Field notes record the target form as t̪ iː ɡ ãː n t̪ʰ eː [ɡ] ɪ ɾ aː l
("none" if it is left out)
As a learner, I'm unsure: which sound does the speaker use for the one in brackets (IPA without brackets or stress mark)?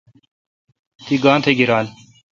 ɡ